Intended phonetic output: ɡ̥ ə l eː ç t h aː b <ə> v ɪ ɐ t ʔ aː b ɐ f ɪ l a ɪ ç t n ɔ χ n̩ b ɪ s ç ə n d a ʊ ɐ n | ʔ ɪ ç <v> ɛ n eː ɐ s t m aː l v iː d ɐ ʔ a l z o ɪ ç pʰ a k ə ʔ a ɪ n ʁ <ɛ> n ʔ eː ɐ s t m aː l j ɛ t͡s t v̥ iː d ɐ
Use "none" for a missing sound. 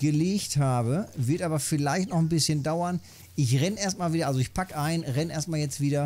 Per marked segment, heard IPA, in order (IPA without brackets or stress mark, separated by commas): ə, ʁ, ɛ